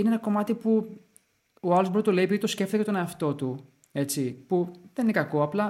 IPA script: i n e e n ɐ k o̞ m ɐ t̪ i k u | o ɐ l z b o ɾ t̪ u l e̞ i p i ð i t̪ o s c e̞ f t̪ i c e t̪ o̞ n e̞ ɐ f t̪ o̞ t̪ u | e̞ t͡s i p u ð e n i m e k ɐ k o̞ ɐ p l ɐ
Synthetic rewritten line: i n e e n ɐ k o̞ m ɐ t̪ i p u | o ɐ l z b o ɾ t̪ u l e̞ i p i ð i t̪ o s c e̞ f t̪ i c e t̪ o̞ n e̞ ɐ f t̪ o̞ t̪ u | e̞ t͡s i p u ð e n i n e k ɐ k o̞ ɐ p l ɐ